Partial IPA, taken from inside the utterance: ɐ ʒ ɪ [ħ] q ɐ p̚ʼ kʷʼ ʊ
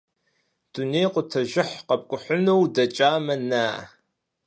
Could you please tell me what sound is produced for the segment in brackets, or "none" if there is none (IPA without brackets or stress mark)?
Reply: ħ